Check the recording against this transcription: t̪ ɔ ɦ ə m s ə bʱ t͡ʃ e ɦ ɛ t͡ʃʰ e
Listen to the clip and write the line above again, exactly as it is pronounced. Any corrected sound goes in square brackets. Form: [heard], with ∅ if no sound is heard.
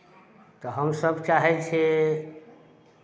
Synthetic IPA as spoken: t̪ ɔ ɦ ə m s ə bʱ t͡ʃ [a] ɦ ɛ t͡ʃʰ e